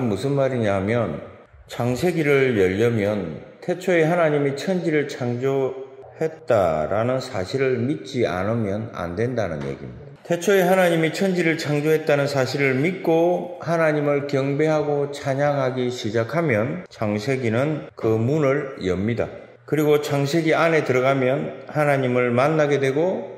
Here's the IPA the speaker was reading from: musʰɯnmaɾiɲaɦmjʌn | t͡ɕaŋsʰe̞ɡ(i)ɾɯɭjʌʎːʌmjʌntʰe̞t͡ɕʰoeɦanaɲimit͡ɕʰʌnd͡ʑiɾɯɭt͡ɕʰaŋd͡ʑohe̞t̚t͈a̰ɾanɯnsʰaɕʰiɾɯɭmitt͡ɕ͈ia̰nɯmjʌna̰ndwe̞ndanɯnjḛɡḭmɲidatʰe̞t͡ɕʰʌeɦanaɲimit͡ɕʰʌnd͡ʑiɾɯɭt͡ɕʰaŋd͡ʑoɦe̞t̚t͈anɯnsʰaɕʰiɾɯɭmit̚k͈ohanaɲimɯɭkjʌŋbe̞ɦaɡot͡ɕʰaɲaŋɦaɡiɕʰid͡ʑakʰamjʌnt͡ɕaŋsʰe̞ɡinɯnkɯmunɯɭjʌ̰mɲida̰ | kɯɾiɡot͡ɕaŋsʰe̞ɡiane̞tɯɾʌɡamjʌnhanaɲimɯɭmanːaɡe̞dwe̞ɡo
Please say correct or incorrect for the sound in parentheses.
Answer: correct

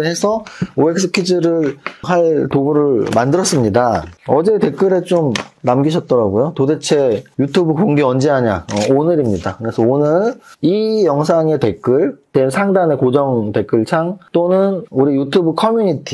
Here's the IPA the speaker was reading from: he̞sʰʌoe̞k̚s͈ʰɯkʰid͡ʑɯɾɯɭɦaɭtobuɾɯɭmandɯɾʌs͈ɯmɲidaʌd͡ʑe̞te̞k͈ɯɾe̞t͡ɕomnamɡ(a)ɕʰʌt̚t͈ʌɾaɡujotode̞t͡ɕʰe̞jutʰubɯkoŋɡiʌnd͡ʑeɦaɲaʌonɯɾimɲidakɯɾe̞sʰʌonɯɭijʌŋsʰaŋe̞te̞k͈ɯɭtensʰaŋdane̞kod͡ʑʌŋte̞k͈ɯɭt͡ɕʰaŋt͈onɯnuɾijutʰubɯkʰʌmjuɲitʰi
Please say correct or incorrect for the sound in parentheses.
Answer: incorrect: i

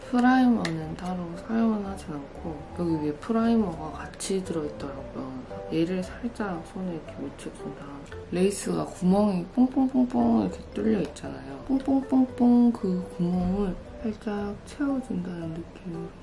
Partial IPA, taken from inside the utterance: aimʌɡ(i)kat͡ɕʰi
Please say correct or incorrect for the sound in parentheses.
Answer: incorrect: a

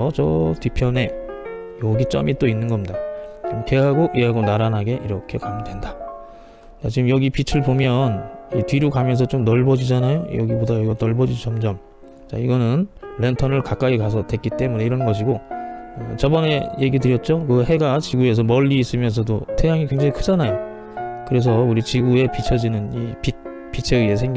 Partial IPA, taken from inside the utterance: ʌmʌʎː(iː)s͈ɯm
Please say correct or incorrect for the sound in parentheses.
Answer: correct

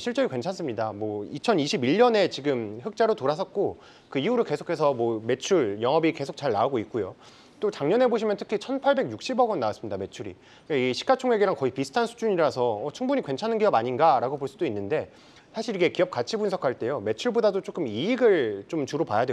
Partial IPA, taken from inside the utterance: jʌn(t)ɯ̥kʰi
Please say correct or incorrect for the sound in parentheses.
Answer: incorrect: tʰ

